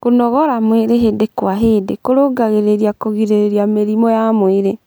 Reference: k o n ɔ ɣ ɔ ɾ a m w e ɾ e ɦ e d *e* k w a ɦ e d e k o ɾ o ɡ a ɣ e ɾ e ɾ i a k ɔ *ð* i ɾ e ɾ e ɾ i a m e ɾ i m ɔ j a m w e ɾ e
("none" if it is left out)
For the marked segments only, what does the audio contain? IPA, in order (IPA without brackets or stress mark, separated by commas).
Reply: e, ɣ